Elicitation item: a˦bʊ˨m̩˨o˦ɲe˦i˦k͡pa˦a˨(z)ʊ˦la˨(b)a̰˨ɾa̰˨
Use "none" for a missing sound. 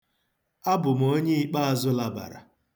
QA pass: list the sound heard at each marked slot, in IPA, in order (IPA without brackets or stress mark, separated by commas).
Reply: z, b